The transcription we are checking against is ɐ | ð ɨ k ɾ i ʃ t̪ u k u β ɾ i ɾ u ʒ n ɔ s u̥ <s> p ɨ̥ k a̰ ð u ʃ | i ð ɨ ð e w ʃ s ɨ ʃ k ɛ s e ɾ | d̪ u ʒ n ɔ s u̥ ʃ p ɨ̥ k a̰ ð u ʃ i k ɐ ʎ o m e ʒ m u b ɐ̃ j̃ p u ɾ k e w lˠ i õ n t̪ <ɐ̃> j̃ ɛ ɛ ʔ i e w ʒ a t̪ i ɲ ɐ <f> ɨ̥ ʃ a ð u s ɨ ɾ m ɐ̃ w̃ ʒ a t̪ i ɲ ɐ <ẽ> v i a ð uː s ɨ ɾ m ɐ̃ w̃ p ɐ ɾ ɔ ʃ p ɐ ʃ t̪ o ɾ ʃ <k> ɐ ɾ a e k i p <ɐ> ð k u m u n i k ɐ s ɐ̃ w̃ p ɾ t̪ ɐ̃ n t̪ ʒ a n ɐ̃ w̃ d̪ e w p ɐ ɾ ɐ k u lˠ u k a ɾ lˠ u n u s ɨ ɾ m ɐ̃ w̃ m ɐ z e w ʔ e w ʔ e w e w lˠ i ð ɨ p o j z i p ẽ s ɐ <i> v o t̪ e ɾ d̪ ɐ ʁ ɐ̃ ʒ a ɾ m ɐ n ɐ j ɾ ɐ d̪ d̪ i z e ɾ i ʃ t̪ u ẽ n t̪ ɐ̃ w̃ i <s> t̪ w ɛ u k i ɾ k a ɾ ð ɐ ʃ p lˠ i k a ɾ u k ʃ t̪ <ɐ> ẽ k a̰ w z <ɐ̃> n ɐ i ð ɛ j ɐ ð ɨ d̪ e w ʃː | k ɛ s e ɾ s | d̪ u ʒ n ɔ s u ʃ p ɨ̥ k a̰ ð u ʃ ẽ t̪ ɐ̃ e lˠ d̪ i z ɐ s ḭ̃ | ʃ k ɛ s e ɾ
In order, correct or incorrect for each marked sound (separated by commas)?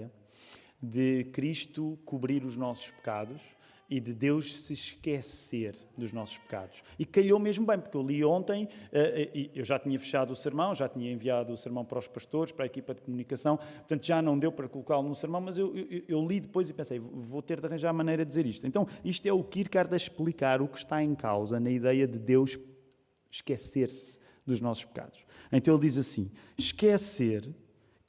incorrect, correct, correct, correct, incorrect, correct, incorrect, incorrect, incorrect, incorrect